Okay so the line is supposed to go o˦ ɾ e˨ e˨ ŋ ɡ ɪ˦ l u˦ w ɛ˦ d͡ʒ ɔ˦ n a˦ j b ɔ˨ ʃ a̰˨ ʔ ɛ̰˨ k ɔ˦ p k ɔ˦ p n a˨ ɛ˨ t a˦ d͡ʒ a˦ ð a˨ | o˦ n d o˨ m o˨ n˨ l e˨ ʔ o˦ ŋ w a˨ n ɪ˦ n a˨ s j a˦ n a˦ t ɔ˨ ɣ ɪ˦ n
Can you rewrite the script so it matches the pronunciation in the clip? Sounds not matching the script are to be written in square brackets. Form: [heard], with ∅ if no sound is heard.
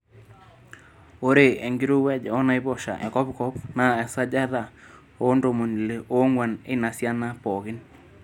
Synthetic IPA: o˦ ɾ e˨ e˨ ŋ ɡ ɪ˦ [ɾ] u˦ w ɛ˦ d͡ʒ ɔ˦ n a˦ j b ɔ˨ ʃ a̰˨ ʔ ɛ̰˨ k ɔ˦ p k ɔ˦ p n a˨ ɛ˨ [s] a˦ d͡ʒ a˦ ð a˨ | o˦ n d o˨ m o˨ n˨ l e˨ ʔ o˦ ŋ w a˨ n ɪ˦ n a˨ s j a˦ n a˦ [p] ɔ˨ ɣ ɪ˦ n

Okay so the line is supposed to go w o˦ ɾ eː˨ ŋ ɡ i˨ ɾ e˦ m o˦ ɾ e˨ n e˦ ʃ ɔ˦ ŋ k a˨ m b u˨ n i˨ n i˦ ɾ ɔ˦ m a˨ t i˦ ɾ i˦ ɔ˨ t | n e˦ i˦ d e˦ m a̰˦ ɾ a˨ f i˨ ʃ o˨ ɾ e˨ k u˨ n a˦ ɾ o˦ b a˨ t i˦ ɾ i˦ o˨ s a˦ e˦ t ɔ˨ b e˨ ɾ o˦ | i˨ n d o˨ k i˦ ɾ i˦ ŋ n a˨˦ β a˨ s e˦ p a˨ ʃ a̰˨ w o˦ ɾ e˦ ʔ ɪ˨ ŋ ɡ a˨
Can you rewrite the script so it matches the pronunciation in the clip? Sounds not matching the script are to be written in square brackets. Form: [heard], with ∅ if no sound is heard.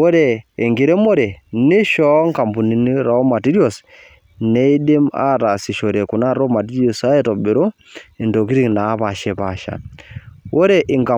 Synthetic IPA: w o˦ ɾ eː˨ ŋ ɡ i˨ ɾ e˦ m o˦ ɾ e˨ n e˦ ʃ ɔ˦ ŋ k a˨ m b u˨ n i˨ n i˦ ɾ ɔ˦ m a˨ t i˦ ɾ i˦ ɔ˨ [s] | n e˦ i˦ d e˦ m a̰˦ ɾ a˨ [s] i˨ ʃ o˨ ɾ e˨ k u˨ n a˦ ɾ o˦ [m] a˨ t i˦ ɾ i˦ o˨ s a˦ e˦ t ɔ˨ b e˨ ɾ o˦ | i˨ n d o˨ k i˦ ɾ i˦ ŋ n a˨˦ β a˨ [ʃ] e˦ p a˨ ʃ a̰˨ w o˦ ɾ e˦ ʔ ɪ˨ ŋ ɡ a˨

